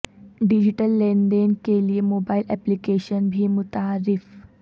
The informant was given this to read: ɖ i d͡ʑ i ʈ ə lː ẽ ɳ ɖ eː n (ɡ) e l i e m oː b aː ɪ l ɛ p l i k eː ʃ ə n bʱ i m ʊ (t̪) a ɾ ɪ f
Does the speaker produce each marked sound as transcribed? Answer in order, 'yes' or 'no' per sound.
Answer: no, yes

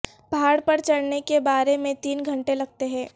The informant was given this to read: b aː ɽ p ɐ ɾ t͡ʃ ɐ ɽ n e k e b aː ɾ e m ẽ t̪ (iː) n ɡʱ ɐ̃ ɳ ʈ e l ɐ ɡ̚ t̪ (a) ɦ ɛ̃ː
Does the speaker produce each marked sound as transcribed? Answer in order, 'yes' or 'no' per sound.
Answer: yes, no

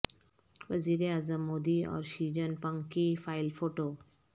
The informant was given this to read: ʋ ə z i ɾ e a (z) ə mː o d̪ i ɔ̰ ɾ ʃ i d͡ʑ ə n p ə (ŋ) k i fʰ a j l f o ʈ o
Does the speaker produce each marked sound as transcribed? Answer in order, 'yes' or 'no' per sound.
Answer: yes, yes

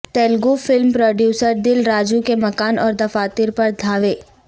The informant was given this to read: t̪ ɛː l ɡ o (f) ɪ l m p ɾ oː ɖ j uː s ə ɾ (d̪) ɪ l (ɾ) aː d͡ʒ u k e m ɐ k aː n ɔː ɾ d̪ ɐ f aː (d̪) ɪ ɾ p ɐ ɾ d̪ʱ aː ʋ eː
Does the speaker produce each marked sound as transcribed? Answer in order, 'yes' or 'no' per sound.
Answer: yes, yes, yes, no

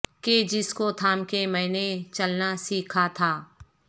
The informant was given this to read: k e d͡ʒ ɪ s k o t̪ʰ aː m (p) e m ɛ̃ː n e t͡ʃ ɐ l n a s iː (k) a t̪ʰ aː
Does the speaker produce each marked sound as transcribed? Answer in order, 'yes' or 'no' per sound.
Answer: no, no

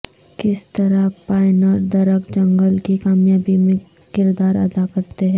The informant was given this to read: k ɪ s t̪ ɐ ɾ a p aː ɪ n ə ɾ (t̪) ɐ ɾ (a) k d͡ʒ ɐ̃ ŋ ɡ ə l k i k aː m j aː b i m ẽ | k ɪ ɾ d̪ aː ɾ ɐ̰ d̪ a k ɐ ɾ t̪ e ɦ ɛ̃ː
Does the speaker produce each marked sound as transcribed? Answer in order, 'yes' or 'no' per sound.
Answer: no, no

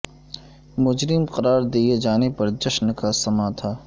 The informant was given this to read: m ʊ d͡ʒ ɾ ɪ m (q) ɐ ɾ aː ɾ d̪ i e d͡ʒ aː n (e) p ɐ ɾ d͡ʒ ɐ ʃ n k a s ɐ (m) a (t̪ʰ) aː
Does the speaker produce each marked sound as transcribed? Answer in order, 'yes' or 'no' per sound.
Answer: yes, yes, yes, yes

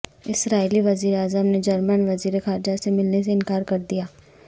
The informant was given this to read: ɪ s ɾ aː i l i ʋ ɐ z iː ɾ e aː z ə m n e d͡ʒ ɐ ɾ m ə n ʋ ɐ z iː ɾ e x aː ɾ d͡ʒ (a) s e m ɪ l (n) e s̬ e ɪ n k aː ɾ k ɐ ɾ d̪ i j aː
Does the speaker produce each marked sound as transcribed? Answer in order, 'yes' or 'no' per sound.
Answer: yes, yes

